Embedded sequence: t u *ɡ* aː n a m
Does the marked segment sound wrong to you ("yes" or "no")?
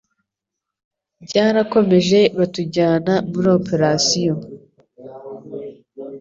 yes